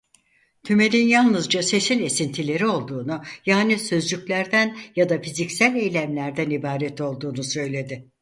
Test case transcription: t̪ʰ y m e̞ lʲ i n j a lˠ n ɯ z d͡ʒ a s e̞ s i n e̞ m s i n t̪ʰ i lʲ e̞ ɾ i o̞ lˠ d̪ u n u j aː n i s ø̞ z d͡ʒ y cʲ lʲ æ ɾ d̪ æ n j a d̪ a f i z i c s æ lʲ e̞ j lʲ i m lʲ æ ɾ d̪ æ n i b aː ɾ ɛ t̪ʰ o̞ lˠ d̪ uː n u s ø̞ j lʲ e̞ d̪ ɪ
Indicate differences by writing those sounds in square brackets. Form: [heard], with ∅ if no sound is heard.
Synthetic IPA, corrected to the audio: t̪ʰ y m e̞ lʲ i n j a lˠ n ɯ z d͡ʒ a s e̞ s i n e̞ [∅] s i n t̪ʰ i lʲ e̞ ɾ i o̞ lˠ d̪ [uː] n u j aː n i s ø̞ z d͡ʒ y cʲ lʲ æ ɾ d̪ æ n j a d̪ a f i z i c s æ lʲ e̞ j lʲ [æ] m lʲ æ ɾ d̪ æ n i b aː ɾ ɛ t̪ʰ o̞ lˠ d̪ uː n u s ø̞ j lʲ e̞ d̪ ɪ